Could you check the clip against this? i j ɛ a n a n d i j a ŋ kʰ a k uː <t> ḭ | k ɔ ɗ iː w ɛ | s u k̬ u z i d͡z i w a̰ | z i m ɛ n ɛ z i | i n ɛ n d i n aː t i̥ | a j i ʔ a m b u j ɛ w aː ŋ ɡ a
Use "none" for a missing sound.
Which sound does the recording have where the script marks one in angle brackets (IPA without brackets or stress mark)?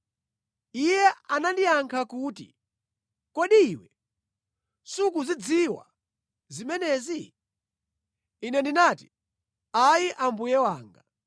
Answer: t